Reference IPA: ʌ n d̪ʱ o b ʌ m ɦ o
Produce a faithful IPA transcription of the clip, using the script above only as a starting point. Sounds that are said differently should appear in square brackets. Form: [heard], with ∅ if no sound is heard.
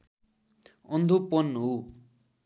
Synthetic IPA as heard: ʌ n d̪ʱ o [p] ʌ [n] ɦ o

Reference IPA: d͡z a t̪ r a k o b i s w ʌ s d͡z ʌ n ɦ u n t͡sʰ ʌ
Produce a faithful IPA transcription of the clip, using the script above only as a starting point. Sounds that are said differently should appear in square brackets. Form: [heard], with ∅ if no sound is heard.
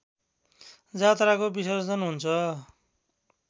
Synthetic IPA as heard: d͡z a t̪ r a k o b i s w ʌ s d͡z ʌ n ɦ u n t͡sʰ ʌ

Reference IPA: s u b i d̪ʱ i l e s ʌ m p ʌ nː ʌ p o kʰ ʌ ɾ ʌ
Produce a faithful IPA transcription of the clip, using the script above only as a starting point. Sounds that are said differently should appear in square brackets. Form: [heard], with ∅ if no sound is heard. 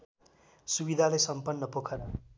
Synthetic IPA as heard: s u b i d̪ʱ [a] l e s ʌ m p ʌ nː ʌ p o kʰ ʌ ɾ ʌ

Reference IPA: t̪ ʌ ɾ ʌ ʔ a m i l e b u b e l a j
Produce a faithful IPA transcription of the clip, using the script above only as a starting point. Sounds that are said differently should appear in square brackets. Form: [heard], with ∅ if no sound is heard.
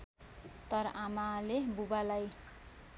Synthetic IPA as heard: t̪ ʌ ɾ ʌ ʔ a m [a] l e b u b [a] l a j

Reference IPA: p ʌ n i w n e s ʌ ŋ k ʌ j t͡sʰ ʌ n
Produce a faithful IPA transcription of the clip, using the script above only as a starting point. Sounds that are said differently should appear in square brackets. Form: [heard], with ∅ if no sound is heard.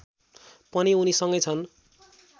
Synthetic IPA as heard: p ʌ n i [u] n [i] s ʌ ŋ [ɡ] ʌ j t͡sʰ ʌ n

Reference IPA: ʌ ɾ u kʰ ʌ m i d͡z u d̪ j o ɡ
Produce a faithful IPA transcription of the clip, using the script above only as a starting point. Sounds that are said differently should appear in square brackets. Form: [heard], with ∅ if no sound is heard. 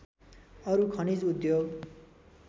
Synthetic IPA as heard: ʌ ɾ u kʰ ʌ [n] i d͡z u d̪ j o ɡ

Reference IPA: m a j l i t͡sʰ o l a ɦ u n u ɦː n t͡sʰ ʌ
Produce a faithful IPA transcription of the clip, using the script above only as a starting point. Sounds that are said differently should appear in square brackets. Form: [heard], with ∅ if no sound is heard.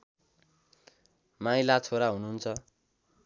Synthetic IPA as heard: m a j l [a] t͡sʰ o [ɾ] a ɦ u n u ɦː n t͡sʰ ʌ

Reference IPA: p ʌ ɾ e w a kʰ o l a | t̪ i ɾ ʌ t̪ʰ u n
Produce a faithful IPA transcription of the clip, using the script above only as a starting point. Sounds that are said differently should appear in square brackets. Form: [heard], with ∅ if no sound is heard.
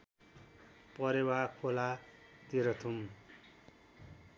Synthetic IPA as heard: p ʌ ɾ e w a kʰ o l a | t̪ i ɾ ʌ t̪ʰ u [m]

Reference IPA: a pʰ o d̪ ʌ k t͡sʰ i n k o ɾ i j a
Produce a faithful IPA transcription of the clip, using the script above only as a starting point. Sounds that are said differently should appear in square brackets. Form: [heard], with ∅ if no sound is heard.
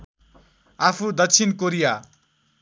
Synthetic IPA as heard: a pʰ [u] d̪ ʌ k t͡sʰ i n k o ɾ i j a

